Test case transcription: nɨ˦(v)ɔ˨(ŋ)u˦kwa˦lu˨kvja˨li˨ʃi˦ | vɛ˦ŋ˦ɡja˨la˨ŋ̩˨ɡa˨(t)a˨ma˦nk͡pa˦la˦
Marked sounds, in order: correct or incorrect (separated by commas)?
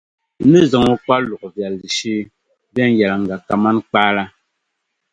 incorrect, correct, incorrect